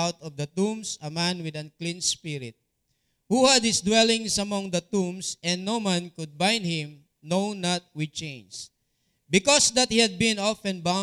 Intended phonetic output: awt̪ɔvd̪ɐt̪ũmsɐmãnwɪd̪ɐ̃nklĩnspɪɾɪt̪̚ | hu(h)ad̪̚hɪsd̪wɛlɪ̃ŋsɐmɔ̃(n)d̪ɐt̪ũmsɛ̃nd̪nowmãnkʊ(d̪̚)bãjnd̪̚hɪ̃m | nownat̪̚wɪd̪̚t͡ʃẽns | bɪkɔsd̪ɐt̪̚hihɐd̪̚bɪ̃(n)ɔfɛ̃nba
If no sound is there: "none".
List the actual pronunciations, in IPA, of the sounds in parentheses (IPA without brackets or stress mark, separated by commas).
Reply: h, ŋ, d̪̚, n